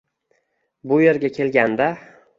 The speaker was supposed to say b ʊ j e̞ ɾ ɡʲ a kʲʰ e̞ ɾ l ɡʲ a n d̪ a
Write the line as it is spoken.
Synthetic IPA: b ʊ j e̞ ɾ ɡʲ a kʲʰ e̞ l ɡʲ a n d̪ a

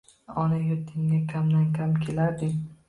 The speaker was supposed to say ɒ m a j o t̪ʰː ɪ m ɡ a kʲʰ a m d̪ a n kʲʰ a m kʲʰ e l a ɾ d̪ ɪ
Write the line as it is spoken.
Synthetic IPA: ɒ n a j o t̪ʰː ɪ ŋ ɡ a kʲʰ a m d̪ a n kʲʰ a m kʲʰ e l a ɾ d̪ ɪ

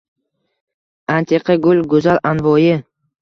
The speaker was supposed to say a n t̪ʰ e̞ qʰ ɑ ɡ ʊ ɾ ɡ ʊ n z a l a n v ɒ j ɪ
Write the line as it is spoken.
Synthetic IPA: a n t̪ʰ e̞ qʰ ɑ ɡ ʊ l ɡ ʊ z a l a n v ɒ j ɪ

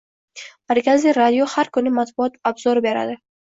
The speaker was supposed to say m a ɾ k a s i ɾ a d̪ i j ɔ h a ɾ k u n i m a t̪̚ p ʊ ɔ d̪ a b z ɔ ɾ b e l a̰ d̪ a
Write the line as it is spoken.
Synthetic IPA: m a ɾ k a z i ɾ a d̪ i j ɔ h a ɾ k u n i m a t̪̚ b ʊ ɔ t̪ a b z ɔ ɾ b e ɾ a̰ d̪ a

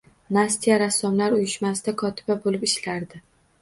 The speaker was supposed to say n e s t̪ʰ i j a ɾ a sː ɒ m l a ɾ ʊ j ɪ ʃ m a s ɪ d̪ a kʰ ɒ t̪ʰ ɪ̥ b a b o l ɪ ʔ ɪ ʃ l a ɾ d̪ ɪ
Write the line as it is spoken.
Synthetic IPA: n a s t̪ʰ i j a ɾ a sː ɒ m l a ɾ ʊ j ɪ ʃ m a s ɪ d̪ a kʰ ɒ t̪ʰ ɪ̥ b a b o l ɪ p ɪ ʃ l a ɾ d̪ ɪ

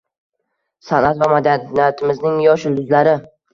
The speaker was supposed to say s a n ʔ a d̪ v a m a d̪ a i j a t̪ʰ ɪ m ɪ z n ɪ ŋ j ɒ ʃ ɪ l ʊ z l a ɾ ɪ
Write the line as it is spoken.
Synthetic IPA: s a n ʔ a t̪ v a m a d̪ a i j a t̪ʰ ɪ m ɪ z n ɪ ŋ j ɒ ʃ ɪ l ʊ z l a ɾ ɪ

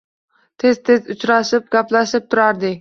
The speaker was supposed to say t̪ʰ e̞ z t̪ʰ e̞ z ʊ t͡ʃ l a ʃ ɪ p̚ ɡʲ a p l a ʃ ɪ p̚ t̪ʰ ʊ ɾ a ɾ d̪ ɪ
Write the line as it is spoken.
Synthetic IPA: t̪ʰ e̞ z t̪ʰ e̞ z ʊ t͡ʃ ɾ a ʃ ɪ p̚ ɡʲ a p l a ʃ ɪ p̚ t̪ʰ ʊ ɾ a ɾ d̪ ɪ

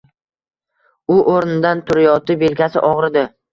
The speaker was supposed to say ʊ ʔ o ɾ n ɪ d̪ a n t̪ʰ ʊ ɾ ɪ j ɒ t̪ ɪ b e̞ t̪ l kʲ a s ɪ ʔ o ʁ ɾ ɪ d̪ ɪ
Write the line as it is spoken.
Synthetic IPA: ʊ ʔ o ɾ n ɪ d̪ a n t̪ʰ ʊ ɾ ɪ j ɒ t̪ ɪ b e̞ l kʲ a s ɪ ʔ ɒ ʁ ɾ ɪ d̪ ɪ

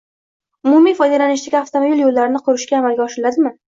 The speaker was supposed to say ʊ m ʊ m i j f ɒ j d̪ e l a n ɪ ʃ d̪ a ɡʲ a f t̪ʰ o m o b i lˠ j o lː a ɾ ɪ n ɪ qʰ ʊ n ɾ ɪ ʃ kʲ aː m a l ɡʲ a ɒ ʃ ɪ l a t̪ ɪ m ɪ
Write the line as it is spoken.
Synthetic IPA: ʊ m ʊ m i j f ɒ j d̪ e l a n ɪ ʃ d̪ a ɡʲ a f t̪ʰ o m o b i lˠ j o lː a ɾ ɪ n ɪ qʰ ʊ ɾ ɪ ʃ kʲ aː m a l ɡʲ a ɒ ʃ ɪ l a d̪ ɪ m ɪ

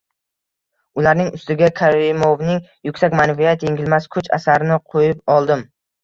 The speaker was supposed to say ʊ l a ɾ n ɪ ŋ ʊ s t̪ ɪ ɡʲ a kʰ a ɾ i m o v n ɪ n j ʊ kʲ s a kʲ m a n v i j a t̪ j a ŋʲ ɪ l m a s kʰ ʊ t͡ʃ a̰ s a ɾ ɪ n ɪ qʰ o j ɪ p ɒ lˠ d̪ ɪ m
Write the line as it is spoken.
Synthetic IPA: ʊ l a ɾ n ɪ ŋ ʊ s t̪ ɪ ɡʲ a kʰ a ɾ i m o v n ɪ ŋ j ʊ kʲ s a kʲ m a n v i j a t̪ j e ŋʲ ɪ l m a s kʰ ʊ t͡ʃ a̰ s a ɾ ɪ n ɪ qʰ o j ɪ p ɒ lˠ d̪ ɪ m

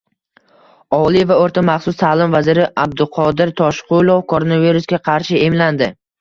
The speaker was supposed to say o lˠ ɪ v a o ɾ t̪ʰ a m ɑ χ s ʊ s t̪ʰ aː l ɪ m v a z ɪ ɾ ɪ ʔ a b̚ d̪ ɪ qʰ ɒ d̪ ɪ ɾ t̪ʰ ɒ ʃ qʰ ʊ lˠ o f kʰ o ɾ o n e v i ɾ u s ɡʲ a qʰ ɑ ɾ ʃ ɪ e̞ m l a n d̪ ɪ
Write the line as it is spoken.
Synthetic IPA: ɒ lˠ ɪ v a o ɾ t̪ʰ a m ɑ χ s ʊ s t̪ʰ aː l ɪ m v a z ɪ ɾ ɪ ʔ a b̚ d̪ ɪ qʰ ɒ d̪ ɪ ɾ t̪ʰ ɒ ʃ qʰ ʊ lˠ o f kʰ o ɾ o n a v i ɾ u s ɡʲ a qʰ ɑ ɾ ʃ ɪ e̞ m l a n d̪ ɪ

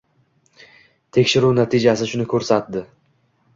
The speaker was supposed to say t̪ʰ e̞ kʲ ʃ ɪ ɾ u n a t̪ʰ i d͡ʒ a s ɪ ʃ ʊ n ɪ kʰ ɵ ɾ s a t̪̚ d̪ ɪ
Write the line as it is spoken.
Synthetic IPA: t̪ʰ e̞ kʲ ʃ ɪ ɾ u n a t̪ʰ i d͡ʒ a s ɪ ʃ ʊ n ɪ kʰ ɵ ɾ s a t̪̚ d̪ ɪ

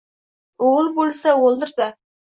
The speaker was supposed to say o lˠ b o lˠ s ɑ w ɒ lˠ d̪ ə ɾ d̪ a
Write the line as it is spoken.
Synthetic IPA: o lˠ b o lˠ s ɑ w o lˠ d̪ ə ɾ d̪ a

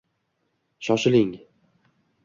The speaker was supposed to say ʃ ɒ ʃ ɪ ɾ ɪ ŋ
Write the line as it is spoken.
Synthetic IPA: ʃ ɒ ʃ ɪ l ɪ ŋ

